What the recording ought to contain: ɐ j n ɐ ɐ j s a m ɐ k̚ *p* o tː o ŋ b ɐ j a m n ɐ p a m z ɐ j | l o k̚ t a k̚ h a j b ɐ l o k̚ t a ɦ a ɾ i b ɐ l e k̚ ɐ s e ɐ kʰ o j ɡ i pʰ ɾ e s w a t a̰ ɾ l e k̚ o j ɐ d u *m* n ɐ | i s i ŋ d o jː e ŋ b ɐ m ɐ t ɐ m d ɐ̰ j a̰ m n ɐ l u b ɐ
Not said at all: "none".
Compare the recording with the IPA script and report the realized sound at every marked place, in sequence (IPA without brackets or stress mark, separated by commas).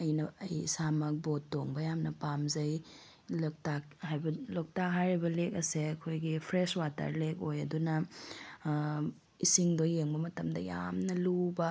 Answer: b, none